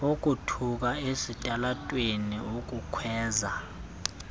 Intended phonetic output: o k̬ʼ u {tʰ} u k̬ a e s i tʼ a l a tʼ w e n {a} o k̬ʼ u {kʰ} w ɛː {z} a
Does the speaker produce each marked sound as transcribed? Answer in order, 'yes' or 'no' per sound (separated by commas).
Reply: yes, no, yes, yes